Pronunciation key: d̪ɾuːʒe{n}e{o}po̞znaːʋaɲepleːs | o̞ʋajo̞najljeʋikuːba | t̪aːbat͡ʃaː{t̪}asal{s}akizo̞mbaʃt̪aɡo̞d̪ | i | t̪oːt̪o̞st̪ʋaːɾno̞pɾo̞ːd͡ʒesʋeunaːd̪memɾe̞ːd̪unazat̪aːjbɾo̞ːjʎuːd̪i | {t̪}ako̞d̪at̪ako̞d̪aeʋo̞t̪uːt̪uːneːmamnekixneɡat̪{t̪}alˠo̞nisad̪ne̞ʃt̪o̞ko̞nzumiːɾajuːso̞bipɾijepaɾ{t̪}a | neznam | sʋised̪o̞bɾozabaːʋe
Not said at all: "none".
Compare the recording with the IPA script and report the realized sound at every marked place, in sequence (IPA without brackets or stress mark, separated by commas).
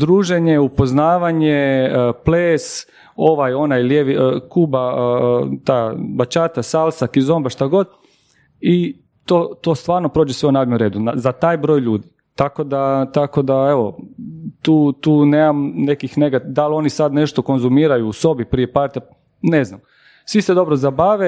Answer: ɲ, u, t̪, s, t̪, d̪, t̪